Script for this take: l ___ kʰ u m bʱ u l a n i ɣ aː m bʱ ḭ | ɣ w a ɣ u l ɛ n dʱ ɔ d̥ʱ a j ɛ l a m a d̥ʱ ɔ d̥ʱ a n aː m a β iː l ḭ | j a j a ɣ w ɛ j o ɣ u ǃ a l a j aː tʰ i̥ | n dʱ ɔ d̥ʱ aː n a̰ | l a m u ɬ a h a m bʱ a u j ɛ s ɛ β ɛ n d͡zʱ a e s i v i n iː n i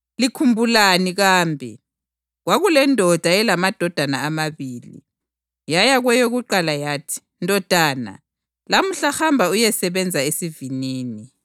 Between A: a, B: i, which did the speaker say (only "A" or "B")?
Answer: B